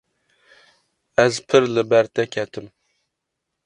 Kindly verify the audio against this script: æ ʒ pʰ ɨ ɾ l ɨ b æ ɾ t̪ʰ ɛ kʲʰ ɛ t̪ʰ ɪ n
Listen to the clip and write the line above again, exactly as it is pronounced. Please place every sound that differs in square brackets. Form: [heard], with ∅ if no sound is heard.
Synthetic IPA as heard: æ [z] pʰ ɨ ɾ l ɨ b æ ɾ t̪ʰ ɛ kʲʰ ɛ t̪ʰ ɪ [m]